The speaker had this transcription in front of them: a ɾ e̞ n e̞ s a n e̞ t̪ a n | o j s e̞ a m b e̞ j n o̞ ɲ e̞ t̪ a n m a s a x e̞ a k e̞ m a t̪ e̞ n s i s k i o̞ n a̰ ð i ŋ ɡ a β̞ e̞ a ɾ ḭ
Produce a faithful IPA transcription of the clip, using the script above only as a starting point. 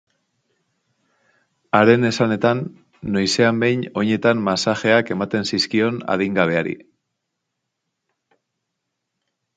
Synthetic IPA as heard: a ɾ e̞ n e̞ s a n e̞ t̪ a nː | o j s e̞ a m b e̞ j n o̞ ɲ e̞ t̪ a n m a s a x e̞ a k e̞ m a t̪ e̞ n s i s k i o̞ n a̰ ð i ŋ ɡ a β̞ e̞ a ɾ ḭ